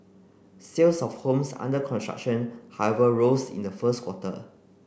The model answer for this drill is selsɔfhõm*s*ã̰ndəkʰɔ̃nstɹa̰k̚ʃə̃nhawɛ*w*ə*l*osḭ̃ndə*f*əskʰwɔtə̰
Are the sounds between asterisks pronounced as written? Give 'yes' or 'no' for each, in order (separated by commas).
yes, no, no, yes